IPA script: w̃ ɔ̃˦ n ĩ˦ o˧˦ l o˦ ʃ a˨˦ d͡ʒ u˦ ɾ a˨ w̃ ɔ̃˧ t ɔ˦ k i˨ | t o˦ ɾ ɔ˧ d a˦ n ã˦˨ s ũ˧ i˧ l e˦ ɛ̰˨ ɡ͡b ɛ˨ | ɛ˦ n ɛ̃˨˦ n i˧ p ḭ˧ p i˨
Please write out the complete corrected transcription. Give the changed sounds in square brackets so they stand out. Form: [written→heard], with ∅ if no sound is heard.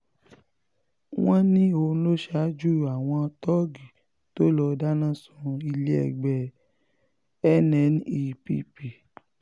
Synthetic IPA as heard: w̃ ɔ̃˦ n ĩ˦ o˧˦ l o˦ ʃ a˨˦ d͡ʒ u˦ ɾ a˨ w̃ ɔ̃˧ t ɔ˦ [k→ɡ] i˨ | t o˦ [ɾ→l] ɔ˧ d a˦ n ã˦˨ s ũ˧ i˧ l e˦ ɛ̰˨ ɡ͡b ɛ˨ | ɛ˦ n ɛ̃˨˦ n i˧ p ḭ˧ p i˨

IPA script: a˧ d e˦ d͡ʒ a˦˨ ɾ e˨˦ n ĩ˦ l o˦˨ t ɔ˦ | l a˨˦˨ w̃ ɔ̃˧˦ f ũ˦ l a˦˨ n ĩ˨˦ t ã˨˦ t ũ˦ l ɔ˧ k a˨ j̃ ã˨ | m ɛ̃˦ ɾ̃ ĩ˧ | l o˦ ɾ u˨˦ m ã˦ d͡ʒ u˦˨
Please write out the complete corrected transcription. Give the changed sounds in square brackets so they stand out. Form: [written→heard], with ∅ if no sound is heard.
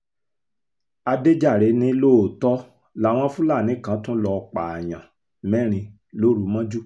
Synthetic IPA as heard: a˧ d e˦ d͡ʒ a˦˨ ɾ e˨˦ n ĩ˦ l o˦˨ t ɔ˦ | l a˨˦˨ w̃ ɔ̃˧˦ f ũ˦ l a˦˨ n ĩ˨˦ [t→k] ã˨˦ t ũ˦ l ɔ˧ [k→k͡p] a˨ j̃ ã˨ | m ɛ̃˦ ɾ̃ ĩ˧ | l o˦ ɾ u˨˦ m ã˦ d͡ʒ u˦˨

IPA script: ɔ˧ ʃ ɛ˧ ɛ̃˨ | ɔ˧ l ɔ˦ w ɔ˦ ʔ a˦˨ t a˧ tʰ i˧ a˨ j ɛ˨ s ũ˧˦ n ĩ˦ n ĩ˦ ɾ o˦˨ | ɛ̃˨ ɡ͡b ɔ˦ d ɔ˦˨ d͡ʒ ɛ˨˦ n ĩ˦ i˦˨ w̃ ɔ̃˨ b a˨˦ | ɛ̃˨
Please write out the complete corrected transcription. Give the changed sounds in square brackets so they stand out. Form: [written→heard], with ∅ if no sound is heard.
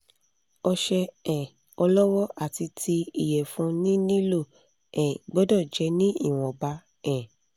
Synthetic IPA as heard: ɔ˧ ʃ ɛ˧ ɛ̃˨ | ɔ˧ l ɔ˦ w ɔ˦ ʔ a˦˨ t [a˧→i˧] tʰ i˧ [a˨→i˨] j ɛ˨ [s→f] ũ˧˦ n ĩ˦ n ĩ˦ [ɾ→l] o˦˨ | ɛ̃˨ ɡ͡b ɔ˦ d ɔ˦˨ d͡ʒ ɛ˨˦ n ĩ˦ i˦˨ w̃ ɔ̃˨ b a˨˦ | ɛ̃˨

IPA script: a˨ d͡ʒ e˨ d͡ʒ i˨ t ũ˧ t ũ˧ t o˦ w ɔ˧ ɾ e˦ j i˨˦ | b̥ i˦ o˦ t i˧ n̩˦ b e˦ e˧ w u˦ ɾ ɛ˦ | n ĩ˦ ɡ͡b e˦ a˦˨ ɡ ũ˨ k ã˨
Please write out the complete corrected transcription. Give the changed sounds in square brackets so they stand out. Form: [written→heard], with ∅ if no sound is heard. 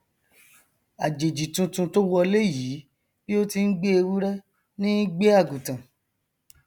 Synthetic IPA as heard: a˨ d͡ʒ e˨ d͡ʒ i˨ t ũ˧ t ũ˧ t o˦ w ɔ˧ [ɾ→l] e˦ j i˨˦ | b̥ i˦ o˦ t i˧ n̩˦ [b→ɡ͡b] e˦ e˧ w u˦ ɾ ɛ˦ | n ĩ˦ ɡ͡b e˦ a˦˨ ɡ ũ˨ [k→t] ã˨

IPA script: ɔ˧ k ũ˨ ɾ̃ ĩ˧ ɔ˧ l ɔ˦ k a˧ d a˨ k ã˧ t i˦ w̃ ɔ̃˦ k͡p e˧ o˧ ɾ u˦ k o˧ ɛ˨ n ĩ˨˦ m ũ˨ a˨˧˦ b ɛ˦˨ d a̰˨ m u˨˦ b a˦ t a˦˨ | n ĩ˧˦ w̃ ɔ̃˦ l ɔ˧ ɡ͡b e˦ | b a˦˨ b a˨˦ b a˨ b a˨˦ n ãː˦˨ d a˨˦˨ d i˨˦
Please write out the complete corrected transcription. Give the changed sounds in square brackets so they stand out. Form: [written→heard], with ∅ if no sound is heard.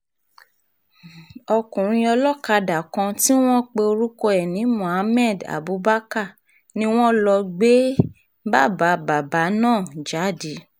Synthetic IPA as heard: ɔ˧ k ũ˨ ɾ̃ ĩ˧ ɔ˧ l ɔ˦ k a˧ d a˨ k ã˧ t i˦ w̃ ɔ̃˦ k͡p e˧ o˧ ɾ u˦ k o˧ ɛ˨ n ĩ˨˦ m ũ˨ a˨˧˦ [b→m] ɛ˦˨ d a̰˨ [m→b] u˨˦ b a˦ [t→k] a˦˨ | n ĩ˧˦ w̃ ɔ̃˦ l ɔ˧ ɡ͡b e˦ | b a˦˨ b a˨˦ b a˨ b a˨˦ n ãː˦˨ [d→d͡ʒ] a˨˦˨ d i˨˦

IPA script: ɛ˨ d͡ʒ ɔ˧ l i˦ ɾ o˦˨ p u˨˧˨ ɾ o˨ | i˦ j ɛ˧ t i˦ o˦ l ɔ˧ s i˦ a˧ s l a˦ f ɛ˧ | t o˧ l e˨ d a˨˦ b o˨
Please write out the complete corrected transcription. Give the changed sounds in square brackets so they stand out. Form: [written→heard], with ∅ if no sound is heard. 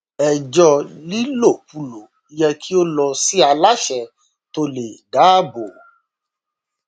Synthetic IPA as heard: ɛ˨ d͡ʒ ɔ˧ l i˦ [ɾ→l] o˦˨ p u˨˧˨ [ɾ→l] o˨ | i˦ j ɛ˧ [t→k] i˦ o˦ l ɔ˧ s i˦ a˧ [s→∅] l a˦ [f→ʃ] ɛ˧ | t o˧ l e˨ d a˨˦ b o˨

